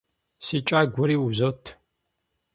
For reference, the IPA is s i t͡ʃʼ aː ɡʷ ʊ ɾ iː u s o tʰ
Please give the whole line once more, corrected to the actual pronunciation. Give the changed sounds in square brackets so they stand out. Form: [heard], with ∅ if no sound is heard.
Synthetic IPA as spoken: s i t͡ʃʼ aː ɡʷ ʊ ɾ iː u [z] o tʰ